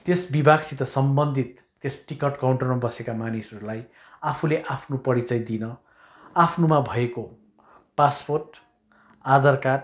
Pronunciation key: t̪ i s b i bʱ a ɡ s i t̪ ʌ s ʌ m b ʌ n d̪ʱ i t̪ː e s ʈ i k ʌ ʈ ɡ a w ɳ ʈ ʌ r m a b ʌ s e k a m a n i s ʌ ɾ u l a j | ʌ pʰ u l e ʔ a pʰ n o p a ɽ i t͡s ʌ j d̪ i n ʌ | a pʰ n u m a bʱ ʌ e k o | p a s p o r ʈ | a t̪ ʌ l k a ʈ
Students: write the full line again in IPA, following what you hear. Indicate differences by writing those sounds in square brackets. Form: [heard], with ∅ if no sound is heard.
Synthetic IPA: t̪ [e] s b i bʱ a ɡ s i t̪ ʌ s ʌ m b ʌ n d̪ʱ i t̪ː e s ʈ i k ʌ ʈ [k] a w ɳ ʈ ʌ r m a b ʌ s e k a m a n i s ʌ ɾ u l a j | [a] pʰ u l e ʔ a pʰ n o p [ʌ] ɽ i t͡s ʌ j d̪ i n ʌ | a pʰ n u m a bʱ ʌ e k o | p a s p o r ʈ | a [d̪] ʌ [r] k a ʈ